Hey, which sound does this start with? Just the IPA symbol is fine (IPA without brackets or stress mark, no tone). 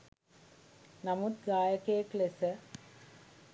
n